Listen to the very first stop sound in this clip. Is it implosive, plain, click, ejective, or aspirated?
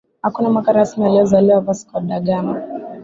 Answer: plain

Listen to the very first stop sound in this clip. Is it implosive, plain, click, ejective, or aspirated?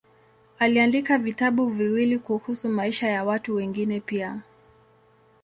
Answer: plain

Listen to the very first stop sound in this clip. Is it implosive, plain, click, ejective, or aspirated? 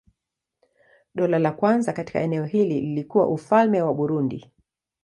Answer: implosive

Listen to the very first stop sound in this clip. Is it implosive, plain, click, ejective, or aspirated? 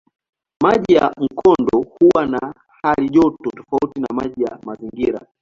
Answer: implosive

